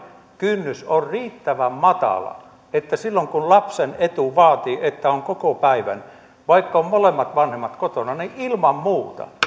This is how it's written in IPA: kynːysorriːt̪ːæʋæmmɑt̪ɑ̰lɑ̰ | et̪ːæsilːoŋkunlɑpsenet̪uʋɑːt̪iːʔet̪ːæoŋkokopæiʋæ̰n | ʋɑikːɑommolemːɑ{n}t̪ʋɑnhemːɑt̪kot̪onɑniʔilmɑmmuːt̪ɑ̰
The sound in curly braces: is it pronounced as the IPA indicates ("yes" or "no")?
no